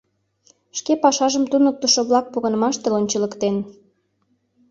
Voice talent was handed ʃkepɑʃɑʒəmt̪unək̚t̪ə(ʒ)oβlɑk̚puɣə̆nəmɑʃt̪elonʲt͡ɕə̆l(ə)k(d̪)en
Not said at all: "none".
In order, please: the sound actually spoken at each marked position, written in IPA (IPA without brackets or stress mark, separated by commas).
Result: ʃ, ə, t̪